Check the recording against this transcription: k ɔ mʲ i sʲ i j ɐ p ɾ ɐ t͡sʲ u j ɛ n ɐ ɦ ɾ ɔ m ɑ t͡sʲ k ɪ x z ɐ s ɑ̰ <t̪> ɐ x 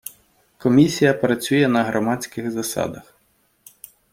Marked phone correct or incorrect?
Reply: incorrect